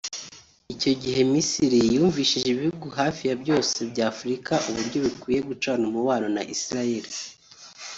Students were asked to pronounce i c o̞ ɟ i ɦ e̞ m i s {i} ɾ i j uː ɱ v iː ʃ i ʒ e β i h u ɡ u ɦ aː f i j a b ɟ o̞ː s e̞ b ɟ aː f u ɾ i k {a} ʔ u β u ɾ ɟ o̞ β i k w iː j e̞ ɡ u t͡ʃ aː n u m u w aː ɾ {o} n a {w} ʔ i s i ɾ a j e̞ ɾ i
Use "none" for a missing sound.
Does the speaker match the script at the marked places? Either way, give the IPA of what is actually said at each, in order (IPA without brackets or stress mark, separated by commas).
i, a, o, none